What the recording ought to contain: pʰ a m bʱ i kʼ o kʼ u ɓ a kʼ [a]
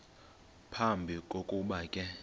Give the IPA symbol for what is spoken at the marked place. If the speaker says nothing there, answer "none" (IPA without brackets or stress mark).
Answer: ɛ